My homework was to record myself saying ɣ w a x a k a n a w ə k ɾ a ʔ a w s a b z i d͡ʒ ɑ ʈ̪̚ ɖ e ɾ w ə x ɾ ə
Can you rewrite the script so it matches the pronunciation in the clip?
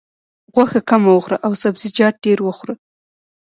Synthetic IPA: ɣ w a x a k a m a w ə x ɾ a ʔ a w s a b z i d͡ʒ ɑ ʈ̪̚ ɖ e ɾ w ə x ɾ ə